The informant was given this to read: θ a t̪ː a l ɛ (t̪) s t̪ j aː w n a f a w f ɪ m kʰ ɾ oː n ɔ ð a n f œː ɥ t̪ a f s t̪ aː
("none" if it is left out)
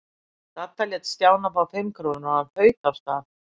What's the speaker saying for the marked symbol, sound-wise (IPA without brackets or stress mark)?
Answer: t̪